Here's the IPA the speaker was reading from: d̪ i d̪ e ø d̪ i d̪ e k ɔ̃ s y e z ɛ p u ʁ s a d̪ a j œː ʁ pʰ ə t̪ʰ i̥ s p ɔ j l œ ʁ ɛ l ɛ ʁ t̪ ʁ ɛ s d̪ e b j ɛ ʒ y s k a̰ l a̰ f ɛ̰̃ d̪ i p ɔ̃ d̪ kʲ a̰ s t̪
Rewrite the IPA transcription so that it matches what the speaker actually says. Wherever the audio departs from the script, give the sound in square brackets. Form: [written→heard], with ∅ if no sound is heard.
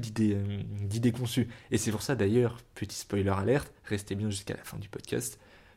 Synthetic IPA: d̪ i d̪ e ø d̪ i d̪ e k ɔ̃ s y e [z→s] ɛ p u ʁ s a d̪ a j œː ʁ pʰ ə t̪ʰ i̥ s p ɔ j l œ ʁ [ɛ→a] l ɛ ʁ t̪ ʁ ɛ s [d̪→t̪] e b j [ɛ→ɛ̃] ʒ y s k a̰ l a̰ f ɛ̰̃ d̪ [i→y] p [ɔ̃→ɔ] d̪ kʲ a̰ s t̪